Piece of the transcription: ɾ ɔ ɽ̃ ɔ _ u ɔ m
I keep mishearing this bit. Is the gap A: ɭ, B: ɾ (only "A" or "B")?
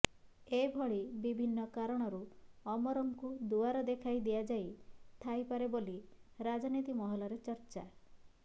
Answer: B